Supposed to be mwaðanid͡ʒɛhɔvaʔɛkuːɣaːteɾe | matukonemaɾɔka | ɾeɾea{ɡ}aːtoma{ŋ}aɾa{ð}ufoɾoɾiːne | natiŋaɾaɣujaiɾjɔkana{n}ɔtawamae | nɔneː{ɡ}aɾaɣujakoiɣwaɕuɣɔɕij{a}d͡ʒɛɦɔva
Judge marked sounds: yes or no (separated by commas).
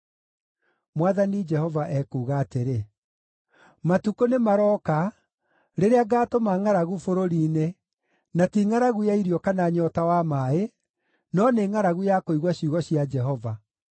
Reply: yes, yes, no, no, no, yes